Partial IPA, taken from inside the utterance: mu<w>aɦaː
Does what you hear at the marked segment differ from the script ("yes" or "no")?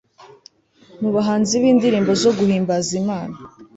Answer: yes